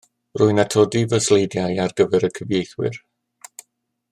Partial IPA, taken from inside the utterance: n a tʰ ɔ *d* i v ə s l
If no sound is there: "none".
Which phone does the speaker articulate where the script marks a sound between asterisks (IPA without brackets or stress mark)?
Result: d